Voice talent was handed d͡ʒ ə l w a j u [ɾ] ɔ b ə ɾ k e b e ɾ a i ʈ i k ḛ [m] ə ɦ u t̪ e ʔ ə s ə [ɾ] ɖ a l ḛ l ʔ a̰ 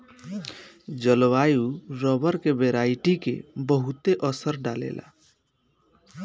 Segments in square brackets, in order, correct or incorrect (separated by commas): correct, incorrect, correct